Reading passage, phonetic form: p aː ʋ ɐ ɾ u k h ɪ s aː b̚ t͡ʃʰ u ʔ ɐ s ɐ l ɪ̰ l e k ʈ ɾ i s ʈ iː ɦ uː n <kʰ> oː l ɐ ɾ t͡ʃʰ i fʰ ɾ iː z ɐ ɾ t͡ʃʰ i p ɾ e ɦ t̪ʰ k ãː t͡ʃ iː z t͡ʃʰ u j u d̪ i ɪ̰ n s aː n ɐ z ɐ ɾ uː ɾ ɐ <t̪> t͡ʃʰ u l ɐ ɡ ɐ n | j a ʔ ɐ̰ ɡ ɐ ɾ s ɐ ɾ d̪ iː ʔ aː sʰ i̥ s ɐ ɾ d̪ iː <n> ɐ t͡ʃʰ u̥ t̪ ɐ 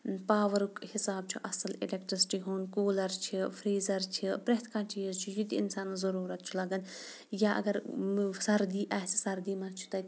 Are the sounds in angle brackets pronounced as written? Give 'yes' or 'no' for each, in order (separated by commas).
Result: no, yes, no